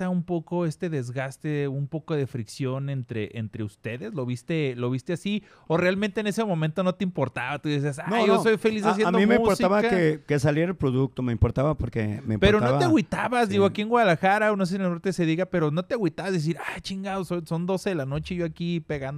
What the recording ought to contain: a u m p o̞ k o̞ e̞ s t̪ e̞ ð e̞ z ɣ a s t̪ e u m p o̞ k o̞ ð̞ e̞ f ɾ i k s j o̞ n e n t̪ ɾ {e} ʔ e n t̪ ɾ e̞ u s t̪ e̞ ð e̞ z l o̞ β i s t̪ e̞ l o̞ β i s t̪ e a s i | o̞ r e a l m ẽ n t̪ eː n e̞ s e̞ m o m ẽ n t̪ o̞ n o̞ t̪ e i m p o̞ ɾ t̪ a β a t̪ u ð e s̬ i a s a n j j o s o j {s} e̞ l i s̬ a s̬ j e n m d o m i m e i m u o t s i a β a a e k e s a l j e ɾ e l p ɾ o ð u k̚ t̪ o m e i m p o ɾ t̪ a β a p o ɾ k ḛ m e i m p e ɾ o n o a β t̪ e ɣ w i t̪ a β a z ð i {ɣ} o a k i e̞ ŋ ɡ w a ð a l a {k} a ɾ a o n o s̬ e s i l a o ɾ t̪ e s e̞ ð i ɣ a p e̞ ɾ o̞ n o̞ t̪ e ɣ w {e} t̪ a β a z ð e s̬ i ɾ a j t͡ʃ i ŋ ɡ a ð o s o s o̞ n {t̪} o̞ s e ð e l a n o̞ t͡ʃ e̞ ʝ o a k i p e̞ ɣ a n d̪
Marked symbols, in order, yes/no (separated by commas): yes, no, yes, no, no, no